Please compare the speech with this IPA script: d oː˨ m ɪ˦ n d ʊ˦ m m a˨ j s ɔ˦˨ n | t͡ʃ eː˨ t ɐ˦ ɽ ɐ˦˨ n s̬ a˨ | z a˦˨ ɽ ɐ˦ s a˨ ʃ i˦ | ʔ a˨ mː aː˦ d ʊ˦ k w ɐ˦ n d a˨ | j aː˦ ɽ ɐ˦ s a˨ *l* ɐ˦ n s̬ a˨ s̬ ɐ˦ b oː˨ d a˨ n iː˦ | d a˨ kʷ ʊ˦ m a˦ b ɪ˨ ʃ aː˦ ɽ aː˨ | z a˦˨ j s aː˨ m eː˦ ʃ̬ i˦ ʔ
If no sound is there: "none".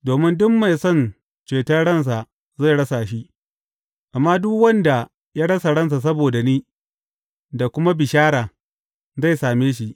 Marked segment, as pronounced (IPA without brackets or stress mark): ɽ